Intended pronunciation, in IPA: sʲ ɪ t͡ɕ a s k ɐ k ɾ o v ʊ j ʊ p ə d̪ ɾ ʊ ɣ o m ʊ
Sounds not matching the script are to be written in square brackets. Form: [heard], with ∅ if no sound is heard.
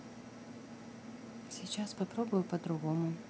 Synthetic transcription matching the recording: sʲ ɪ t͡ɕ a s [p] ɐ [p] ɾ o [b] ʊ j ʊ p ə d̪ ɾ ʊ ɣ o m ʊ